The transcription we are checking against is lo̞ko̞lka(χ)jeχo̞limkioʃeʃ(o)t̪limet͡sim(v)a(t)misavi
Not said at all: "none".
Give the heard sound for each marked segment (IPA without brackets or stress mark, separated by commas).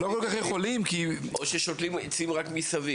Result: χ, o, ʁ, k